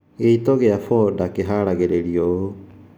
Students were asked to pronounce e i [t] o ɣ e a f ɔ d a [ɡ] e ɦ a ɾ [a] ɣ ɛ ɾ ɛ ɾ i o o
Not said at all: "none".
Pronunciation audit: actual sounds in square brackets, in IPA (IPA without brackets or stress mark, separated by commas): t, k, a